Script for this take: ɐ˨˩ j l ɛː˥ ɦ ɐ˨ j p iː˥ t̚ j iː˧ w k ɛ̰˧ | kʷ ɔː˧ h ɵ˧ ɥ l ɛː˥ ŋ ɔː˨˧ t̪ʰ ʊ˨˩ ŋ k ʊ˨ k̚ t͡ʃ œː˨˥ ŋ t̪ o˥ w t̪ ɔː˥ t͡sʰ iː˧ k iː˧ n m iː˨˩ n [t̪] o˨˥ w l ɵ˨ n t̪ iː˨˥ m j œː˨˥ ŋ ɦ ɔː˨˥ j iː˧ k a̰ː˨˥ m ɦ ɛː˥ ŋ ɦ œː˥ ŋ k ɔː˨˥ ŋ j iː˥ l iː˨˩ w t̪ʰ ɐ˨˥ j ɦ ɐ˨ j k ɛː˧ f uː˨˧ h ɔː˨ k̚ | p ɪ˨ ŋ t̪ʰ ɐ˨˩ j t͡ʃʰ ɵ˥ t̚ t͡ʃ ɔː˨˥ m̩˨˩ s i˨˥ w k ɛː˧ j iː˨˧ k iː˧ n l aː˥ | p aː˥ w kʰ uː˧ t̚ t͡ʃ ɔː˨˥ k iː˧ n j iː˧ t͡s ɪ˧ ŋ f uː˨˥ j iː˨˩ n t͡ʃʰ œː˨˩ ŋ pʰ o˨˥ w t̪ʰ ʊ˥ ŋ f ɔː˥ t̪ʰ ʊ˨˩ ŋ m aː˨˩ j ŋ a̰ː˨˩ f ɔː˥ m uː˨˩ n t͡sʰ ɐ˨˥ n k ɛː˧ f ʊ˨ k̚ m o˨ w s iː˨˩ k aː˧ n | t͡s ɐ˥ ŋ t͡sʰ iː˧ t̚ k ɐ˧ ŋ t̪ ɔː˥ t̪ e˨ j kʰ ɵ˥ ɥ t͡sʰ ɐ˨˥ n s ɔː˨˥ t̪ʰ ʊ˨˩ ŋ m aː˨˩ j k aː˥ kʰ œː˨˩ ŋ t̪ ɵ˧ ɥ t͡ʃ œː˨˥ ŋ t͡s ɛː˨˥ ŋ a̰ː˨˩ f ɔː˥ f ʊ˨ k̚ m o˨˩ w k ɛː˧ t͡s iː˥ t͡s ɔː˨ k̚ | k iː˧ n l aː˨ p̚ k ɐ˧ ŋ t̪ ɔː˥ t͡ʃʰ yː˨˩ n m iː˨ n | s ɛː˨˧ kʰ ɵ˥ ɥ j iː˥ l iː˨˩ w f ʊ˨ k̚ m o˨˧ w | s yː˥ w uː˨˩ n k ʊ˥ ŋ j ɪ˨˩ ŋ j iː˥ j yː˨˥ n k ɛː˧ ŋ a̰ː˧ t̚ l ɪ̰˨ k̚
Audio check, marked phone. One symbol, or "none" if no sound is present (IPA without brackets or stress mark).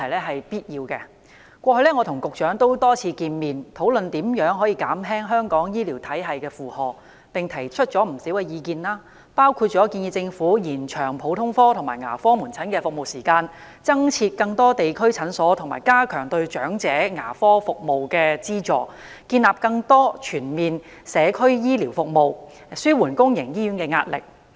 t̪ʰ